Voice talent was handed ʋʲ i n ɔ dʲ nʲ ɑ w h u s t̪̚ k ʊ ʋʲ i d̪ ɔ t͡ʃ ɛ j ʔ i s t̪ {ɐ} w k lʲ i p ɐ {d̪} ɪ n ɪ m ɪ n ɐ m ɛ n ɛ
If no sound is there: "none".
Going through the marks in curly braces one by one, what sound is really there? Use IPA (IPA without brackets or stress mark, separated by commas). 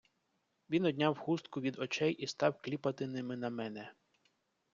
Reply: ɑ, t̪